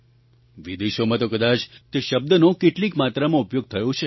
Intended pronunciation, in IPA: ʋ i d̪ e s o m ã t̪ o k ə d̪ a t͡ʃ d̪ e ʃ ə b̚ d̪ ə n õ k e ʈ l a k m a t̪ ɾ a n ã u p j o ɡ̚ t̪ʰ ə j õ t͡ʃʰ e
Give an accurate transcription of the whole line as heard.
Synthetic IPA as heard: ʋ i d̪ e ʃ o m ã t̪ o k ə d̪ a t͡ʃ t̪ e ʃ ə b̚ d̪ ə n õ k e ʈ l i k m a t̪ ɾ a m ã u p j o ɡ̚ t̪ʰ ə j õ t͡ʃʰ e